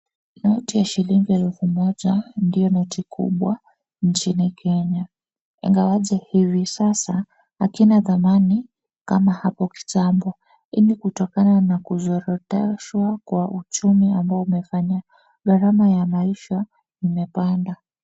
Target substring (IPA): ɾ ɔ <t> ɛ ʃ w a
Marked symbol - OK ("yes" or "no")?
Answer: yes